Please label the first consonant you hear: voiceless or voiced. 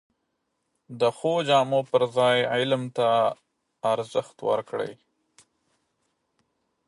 voiced